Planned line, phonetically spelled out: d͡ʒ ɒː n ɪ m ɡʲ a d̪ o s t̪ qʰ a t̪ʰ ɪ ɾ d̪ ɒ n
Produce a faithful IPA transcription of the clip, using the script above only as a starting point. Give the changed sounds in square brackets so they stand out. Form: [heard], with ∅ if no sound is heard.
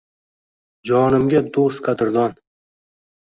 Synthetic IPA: d͡ʒ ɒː n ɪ m ɡʲ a d̪ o s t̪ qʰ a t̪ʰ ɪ ɾ d̪ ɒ n